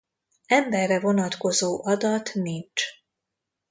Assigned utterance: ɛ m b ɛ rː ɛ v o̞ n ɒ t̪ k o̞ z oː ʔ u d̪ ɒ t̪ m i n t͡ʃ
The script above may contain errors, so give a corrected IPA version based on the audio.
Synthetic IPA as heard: ɛ m b ɛ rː ɛ v o̞ n ɒ t̪ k o̞ z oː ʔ ɒ d̪ ɒ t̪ n i n t͡ʃ